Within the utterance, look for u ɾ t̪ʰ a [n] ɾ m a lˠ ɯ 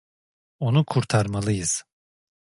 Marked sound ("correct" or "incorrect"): incorrect